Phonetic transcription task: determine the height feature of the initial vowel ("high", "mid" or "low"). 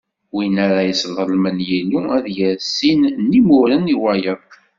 high